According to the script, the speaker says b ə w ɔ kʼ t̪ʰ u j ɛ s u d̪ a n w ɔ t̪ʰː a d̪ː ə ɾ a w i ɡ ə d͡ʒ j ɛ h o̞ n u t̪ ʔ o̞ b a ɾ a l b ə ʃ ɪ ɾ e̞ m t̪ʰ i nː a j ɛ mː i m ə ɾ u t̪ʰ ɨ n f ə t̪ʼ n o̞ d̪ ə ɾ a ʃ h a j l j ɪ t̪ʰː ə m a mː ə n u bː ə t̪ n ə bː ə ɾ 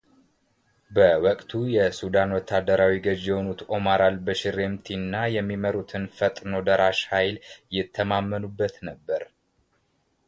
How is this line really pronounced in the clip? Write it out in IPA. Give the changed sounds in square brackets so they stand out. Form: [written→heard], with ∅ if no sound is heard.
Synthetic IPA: b ə w ɔ kʼ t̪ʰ u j ɛ s u d̪ a n w ɔ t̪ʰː a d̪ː ə ɾ a w i ɡ ə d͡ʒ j ɛ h o̞ n u t̪ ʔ o̞ [b→m] a ɾ a l b ə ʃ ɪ ɾ e̞ m t̪ʰ i nː a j ɛ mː i m ə ɾ u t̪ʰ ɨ n f ə t̪ʼ n o̞ d̪ ə ɾ a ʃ h a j l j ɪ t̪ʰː ə m a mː ə n u bː ə t̪ n ə bː ə ɾ